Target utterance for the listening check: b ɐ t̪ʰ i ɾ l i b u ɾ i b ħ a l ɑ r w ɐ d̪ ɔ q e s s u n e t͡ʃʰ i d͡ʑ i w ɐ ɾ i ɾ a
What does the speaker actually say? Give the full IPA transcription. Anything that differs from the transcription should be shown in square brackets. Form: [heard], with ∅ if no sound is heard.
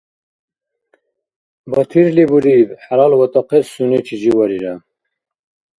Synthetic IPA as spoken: b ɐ t̪ʰ i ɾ l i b u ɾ i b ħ a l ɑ [l] w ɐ [t̪] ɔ q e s s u n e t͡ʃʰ i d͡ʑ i w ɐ ɾ i ɾ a

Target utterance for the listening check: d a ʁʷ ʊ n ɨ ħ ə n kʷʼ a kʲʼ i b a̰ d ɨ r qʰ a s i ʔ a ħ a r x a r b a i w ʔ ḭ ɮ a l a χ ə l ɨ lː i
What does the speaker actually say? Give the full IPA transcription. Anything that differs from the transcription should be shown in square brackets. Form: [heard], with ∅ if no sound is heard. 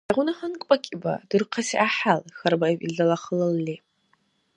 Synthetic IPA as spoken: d a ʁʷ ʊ n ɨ ħ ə n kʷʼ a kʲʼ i b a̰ d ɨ r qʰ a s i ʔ a ħ a [l] x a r b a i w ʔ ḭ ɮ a l a χ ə l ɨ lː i

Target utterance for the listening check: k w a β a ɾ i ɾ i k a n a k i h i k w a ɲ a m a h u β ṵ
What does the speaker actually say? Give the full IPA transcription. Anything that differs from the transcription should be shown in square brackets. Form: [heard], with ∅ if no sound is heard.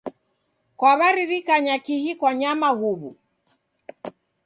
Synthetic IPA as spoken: k w a β a ɾ i ɾ i k a [ɲ] a k i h i k w a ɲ a m a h u β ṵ

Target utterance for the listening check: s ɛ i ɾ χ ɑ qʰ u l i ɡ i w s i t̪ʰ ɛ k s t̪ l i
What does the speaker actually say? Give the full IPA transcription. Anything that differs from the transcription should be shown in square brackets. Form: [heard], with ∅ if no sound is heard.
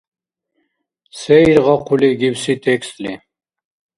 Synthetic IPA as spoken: s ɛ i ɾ [ʁ] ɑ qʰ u l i ɡ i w s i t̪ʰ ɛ k s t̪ l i

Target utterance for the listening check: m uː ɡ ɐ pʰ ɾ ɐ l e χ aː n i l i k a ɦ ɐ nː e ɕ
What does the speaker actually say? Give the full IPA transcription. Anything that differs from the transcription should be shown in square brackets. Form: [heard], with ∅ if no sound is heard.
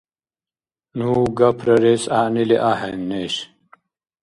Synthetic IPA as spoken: [n] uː ɡ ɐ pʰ ɾ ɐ [ɾ] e [s] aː n i l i [ʔ] a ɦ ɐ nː e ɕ

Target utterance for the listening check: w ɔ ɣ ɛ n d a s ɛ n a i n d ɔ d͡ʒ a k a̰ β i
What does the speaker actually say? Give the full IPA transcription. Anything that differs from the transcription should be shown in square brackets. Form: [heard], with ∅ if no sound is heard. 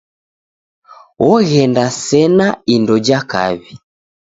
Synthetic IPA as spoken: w ɔ ɣ ɛ n d a s ɛ n a i n d ɔ d͡ʒ a k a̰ β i

